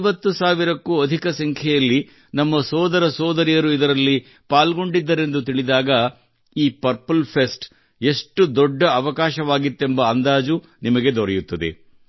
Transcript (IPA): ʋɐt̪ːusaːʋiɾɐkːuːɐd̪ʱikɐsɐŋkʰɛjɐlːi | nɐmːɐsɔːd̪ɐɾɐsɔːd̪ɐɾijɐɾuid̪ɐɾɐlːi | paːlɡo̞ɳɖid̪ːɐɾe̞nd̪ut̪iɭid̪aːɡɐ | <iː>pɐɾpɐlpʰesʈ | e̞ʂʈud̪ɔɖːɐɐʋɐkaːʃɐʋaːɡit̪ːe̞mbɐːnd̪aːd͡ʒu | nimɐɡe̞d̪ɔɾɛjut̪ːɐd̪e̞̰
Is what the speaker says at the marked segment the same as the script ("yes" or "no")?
yes